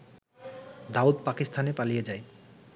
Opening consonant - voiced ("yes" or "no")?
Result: yes